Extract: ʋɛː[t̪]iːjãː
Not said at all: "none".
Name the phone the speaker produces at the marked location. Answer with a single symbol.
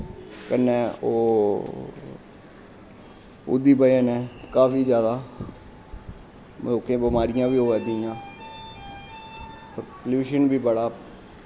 d̪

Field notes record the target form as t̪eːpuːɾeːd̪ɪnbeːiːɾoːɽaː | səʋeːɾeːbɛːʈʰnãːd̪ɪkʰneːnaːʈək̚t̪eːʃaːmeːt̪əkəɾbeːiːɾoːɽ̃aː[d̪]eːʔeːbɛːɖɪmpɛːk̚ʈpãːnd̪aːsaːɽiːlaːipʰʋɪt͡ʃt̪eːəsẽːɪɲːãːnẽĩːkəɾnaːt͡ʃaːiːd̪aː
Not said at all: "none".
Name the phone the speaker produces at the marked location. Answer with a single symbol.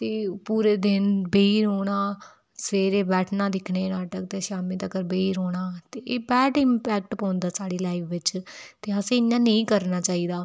t̪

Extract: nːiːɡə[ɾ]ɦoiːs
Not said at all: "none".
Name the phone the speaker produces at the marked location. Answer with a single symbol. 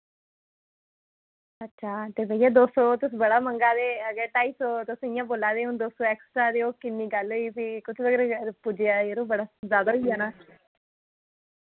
l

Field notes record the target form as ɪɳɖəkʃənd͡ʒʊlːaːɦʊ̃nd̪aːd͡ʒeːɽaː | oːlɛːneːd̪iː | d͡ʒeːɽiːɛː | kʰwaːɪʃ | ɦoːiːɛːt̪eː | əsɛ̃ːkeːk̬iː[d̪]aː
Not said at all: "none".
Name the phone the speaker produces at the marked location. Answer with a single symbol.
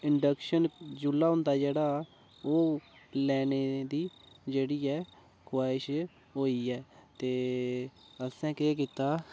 t̪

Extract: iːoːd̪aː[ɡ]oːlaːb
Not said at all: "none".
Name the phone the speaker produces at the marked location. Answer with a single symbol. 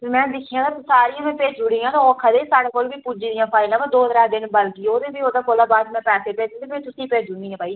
k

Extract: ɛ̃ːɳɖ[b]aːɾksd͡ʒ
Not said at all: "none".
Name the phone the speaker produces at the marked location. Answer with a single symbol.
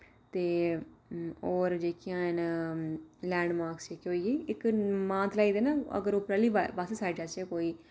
m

